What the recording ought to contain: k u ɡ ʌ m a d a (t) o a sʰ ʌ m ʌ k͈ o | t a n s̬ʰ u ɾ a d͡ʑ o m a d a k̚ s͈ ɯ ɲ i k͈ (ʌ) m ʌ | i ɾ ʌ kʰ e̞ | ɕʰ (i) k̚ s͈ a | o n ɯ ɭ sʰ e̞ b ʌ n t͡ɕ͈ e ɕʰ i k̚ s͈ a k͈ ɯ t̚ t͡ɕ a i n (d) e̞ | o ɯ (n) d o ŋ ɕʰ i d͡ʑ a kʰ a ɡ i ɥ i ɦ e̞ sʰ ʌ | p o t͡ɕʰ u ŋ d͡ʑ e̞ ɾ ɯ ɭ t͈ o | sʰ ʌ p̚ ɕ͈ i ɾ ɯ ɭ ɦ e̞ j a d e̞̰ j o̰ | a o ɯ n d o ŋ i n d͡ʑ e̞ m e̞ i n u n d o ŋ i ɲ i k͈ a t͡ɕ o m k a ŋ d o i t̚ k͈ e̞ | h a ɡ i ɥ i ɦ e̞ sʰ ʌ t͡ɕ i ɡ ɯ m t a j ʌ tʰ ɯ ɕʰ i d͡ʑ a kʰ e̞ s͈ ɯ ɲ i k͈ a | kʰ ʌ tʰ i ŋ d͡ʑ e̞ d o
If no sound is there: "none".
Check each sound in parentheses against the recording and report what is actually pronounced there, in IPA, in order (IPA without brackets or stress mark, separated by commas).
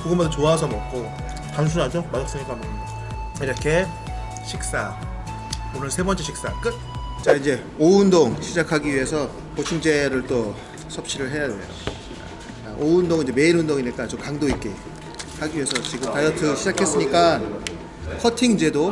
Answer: t͡ɕ, a, i, d͡ʑ, n